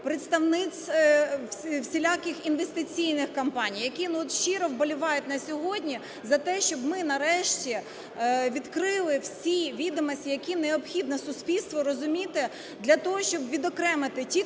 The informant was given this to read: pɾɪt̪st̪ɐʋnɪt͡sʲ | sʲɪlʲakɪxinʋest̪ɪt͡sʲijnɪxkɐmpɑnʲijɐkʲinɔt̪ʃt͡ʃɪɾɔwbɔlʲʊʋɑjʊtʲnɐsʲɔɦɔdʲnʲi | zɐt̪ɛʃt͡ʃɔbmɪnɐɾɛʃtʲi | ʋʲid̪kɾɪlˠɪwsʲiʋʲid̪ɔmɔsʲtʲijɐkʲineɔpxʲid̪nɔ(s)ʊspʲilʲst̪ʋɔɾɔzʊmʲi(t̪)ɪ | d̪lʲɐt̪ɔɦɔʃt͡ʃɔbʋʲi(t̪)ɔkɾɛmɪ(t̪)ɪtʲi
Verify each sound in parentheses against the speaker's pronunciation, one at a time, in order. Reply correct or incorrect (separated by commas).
correct, correct, incorrect, correct